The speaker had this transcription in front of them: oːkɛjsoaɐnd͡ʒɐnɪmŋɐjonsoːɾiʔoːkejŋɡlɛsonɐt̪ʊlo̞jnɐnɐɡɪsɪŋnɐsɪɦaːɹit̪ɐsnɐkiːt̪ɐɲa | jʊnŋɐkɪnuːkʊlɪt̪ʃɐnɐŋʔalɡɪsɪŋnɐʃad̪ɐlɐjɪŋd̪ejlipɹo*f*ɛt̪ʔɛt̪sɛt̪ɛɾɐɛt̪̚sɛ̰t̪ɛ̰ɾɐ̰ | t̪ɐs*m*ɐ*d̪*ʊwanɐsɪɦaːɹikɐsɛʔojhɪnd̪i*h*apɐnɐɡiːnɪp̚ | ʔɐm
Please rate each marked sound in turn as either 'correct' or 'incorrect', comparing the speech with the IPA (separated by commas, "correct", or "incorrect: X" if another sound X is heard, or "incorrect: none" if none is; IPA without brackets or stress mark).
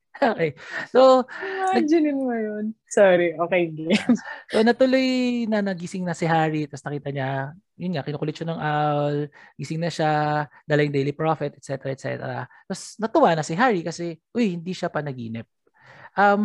correct, incorrect: n, incorrect: t̪, incorrect: ʃ